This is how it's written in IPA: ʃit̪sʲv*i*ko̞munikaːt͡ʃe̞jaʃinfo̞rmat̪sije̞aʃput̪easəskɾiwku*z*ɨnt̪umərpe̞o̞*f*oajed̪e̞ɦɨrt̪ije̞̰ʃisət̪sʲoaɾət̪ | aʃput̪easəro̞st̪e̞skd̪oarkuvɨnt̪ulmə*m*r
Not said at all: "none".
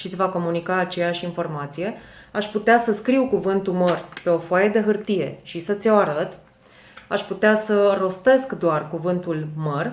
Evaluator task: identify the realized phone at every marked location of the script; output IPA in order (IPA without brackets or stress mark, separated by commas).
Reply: a, v, f, none